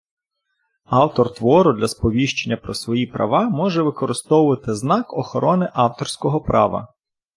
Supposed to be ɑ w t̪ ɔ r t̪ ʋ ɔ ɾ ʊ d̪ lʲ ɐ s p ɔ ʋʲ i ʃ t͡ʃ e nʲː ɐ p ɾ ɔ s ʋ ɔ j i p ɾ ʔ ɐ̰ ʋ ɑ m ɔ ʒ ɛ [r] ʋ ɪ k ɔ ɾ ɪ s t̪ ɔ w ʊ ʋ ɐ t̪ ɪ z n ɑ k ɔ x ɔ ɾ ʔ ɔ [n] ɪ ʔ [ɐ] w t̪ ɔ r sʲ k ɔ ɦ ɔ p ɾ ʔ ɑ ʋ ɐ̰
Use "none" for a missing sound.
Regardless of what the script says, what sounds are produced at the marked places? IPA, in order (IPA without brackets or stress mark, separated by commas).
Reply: none, n, ɑ